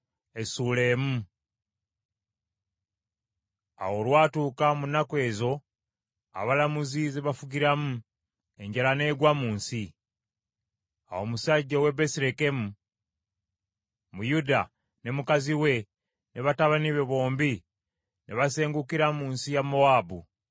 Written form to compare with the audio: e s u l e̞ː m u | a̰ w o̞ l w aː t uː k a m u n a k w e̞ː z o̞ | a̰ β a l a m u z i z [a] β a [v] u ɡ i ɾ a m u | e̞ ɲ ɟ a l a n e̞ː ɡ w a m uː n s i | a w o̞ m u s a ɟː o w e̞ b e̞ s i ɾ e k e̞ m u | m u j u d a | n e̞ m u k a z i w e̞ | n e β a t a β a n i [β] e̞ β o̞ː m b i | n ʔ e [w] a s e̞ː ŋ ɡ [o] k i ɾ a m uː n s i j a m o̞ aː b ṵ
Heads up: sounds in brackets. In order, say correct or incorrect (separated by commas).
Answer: incorrect, incorrect, correct, incorrect, incorrect